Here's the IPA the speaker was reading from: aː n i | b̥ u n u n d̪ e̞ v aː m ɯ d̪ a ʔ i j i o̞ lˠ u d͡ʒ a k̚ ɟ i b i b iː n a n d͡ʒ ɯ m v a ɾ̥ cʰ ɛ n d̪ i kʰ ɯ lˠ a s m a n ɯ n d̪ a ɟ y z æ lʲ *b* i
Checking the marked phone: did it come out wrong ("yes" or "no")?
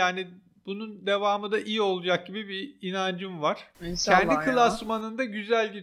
yes